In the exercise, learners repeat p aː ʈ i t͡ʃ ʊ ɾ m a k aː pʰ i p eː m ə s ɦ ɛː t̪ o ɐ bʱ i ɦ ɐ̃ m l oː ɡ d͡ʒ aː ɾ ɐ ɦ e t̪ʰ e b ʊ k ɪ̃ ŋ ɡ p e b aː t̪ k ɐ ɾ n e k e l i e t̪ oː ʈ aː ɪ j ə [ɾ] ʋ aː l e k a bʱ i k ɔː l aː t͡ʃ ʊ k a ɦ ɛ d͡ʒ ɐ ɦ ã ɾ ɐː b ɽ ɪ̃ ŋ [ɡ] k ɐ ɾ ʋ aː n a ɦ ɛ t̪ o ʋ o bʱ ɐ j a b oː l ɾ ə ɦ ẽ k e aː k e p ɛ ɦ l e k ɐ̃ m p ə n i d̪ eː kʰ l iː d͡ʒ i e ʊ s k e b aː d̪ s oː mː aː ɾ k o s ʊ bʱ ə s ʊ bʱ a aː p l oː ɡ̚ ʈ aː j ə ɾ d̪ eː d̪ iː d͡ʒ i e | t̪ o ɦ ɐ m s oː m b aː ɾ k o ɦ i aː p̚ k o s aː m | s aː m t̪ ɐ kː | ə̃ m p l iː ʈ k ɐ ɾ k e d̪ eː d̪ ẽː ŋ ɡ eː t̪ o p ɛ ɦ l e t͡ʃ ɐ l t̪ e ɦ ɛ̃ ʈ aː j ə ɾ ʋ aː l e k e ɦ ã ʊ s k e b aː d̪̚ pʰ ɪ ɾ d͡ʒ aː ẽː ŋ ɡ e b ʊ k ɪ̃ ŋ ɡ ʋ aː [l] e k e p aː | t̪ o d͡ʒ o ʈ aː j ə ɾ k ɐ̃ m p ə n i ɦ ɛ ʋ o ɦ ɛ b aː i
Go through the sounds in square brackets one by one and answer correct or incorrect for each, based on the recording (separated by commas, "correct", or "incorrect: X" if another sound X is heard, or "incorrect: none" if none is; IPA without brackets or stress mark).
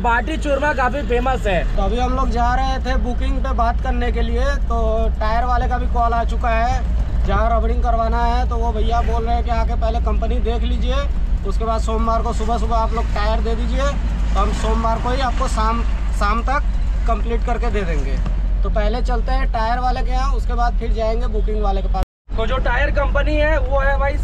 correct, correct, correct